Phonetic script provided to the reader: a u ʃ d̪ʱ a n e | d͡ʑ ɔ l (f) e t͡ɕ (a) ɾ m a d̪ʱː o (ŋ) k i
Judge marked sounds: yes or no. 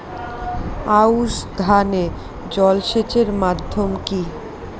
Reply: no, no, no

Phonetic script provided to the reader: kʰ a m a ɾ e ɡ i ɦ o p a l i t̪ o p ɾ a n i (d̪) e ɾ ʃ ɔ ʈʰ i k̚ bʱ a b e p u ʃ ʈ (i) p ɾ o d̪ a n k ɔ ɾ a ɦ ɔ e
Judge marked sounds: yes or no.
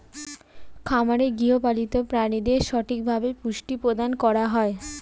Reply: yes, yes

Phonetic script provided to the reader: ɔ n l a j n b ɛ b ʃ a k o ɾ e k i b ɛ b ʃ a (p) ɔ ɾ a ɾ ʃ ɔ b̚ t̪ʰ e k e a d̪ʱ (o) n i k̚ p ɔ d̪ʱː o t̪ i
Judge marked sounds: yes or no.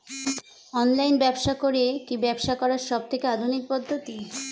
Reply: no, no

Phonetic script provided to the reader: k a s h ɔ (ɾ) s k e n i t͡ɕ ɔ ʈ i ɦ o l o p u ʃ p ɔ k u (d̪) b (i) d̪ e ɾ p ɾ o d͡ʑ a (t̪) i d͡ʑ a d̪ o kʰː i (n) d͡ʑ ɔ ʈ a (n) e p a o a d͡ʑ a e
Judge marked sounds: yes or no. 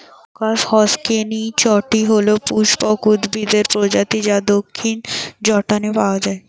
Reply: no, yes, yes, yes, yes, yes

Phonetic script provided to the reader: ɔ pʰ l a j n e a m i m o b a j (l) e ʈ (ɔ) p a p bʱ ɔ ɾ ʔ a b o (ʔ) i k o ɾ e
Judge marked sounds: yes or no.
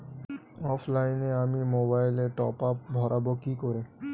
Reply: yes, yes, no

